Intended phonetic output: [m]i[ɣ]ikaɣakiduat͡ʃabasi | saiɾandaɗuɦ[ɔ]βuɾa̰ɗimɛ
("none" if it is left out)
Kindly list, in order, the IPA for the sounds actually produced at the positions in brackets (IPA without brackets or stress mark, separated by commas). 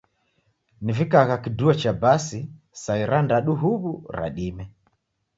n, v, u